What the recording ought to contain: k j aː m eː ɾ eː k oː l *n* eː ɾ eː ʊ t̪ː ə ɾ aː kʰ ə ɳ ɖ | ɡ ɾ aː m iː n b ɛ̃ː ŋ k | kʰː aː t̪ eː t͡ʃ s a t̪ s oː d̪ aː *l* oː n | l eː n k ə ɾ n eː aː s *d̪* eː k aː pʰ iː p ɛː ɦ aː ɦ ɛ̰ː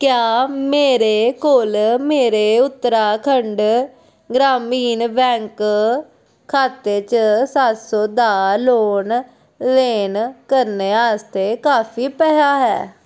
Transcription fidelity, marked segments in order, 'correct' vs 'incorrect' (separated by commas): incorrect, correct, incorrect